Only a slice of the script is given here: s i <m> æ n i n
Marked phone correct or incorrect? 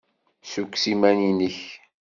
correct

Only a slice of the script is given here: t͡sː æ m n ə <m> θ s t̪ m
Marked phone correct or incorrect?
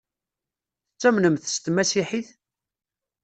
correct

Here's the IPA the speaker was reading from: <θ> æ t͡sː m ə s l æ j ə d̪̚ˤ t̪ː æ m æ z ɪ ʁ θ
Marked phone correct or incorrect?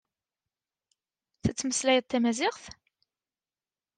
correct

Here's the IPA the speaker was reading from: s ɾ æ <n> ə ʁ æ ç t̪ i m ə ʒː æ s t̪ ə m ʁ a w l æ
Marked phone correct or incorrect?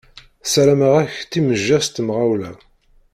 incorrect: m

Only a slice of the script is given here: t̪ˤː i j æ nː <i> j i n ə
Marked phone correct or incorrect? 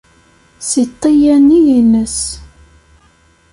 correct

